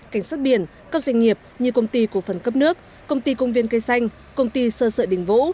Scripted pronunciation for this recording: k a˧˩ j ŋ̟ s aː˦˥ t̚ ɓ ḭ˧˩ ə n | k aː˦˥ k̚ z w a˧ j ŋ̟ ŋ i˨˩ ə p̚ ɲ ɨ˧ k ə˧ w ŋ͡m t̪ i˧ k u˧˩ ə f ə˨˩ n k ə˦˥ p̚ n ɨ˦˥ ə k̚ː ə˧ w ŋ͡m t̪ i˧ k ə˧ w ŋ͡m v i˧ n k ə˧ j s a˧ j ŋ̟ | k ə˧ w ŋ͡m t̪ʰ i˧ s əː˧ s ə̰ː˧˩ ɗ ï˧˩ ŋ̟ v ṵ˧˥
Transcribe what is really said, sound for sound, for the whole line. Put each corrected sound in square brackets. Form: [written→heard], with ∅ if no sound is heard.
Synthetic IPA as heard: k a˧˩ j ŋ̟ s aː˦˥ t̚ ɓ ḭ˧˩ ə n | k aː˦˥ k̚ z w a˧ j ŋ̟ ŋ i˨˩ ə p̚ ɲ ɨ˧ k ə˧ w ŋ͡m t̪ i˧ k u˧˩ ə f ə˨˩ n k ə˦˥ p̚ n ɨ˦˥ ə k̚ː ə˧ w ŋ͡m t̪ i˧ k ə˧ w ŋ͡m v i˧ n k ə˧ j s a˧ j ŋ̟ | k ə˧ w ŋ͡m [t̪ʰ→t̪] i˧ s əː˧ s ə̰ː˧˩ ɗ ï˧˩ ŋ̟ v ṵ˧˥